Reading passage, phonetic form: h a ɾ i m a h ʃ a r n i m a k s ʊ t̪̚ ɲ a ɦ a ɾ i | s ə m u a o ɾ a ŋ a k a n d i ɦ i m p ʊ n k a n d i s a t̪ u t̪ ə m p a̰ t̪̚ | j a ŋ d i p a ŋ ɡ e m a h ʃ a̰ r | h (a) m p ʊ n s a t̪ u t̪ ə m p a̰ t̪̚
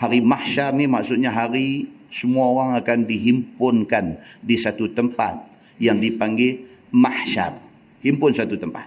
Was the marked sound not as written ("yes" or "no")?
yes